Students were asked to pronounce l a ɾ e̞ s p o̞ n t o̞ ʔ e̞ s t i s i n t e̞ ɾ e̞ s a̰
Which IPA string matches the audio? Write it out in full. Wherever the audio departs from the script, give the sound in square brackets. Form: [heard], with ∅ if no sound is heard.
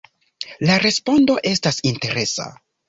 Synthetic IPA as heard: l a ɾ e̞ s p o̞ n [d] o̞ ʔ e̞ s t [a] s i n t e̞ ɾ e̞ s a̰